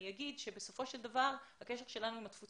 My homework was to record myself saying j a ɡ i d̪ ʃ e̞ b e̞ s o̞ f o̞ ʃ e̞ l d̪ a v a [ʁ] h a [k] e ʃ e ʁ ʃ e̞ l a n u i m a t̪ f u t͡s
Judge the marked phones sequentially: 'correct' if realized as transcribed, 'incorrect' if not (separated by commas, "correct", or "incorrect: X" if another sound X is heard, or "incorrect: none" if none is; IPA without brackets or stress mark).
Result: correct, correct